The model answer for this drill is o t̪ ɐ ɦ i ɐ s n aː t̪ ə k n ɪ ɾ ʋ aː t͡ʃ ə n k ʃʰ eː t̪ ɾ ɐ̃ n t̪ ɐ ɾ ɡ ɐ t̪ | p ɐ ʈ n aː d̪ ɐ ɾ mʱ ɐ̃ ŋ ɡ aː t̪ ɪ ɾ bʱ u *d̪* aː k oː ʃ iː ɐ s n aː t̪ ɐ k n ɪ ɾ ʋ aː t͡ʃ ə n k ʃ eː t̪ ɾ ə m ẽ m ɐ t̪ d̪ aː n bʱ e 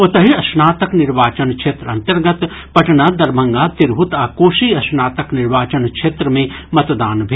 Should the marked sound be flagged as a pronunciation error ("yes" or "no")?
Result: yes